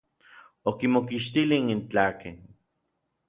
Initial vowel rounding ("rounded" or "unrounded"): rounded